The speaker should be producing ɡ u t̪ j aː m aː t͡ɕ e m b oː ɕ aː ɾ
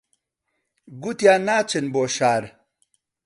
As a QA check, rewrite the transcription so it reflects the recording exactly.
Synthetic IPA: ɡ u t̪ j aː n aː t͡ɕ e n b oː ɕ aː ɾ